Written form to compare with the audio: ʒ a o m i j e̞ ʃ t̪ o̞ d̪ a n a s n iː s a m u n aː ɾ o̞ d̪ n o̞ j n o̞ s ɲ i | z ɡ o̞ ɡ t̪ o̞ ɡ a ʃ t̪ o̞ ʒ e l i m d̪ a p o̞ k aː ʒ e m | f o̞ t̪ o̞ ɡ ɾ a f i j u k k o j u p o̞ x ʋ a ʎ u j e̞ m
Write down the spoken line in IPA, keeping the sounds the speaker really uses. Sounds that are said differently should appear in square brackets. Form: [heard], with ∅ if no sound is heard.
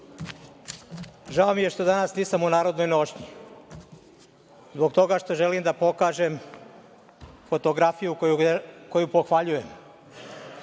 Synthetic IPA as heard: ʒ a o m i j e̞ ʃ t̪ o̞ d̪ a n a s n iː s a m u n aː ɾ o̞ d̪ n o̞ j n o̞ [ʃ] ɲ i | z [b] o̞ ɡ t̪ o̞ ɡ a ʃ t̪ o̞ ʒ e l i m d̪ a p o̞ k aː ʒ e m | f o̞ t̪ o̞ ɡ ɾ a f i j u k k o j u p o̞ x ʋ a ʎ u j e̞ m